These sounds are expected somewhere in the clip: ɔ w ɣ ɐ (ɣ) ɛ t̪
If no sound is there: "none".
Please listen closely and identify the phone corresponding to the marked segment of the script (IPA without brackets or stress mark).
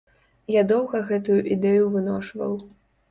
ɣ